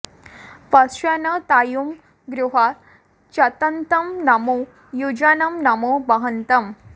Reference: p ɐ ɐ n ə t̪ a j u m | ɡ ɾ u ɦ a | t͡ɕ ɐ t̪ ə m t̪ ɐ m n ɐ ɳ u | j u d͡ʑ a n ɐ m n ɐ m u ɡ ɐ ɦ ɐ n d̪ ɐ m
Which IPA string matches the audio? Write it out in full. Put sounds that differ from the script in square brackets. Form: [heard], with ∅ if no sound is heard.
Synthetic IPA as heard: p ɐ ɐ n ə t̪ a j u m | ɡ ɾ u ɦ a | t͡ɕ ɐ t̪ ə [n] t̪ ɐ m n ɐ [m] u | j u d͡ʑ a n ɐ m n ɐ m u [b] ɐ ɦ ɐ n [t̪] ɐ m